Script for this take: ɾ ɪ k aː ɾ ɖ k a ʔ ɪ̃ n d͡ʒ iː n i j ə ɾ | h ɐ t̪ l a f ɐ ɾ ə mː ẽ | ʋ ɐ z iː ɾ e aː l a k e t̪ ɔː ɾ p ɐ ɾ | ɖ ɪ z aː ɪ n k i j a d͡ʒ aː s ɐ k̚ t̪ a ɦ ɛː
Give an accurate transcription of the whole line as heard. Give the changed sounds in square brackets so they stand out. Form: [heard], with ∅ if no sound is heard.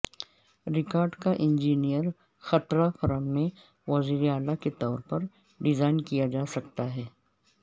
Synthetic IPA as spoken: ɾ ɪ k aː ɾ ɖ k a ʔ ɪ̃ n d͡ʒ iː n i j ə ɾ | [x] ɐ t̪ [ɾ] a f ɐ ɾ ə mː ẽ | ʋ ɐ z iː ɾ e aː l a k e t̪ ɔː ɾ p ɐ ɾ | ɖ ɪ z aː ɪ n k i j a d͡ʒ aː s ɐ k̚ t̪ a ɦ ɛː

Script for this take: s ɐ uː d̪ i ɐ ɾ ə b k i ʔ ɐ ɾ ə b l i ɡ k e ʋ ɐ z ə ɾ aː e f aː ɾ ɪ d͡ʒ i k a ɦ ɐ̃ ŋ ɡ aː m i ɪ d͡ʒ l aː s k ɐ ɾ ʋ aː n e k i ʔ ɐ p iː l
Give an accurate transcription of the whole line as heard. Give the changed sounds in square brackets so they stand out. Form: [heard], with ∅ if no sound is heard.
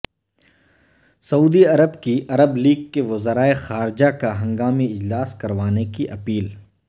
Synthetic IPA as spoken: s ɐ uː d̪ i ɐ ɾ ə b k i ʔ ɐ ɾ ə b l [iː] ɡ k e ʋ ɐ z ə ɾ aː e [x] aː ɾ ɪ d͡ʒ [a] k a ɦ ɐ̃ ŋ ɡ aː m i ɪ d͡ʒ l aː s k ɐ ɾ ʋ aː n e k i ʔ ɐ p iː l

